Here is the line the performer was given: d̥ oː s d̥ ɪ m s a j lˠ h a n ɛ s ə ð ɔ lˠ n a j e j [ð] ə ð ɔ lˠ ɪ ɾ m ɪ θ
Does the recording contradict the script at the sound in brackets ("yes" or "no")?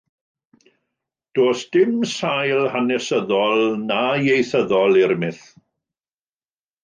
yes